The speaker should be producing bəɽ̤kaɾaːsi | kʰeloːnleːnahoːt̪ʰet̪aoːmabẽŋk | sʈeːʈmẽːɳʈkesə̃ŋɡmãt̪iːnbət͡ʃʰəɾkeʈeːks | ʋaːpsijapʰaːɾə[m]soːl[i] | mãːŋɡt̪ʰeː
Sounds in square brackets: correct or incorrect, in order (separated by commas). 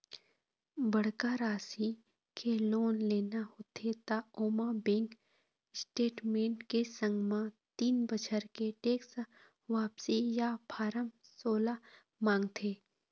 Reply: correct, incorrect